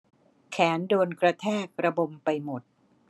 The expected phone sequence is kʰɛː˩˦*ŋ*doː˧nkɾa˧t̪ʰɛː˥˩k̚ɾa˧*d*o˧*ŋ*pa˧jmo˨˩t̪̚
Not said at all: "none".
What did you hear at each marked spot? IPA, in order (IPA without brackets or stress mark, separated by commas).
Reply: n, b, m